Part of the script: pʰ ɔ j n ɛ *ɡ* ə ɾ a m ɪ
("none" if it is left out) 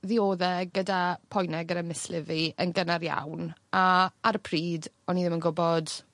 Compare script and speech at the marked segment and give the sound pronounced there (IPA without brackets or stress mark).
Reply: ɡ